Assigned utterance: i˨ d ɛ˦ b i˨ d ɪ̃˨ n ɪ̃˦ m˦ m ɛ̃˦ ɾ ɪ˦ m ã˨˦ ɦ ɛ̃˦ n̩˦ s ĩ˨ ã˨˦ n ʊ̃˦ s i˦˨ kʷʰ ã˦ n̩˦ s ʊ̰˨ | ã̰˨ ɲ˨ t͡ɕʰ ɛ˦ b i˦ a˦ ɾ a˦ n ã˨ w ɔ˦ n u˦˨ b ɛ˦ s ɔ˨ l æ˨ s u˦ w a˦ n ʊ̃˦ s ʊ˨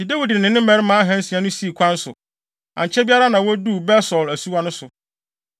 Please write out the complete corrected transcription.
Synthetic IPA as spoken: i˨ d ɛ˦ w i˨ d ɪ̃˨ n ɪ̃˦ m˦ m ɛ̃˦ ɾ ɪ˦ m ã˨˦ ɦ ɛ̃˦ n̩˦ s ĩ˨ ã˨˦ n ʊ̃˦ s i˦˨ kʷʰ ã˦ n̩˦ s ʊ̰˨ | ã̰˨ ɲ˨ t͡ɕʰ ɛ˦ b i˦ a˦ ɾ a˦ n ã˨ w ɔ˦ d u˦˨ b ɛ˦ s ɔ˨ l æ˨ s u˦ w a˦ n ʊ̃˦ s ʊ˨